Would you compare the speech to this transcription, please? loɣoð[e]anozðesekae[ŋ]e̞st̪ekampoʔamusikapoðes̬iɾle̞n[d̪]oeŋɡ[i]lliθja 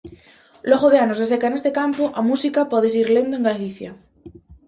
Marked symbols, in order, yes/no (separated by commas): yes, no, yes, no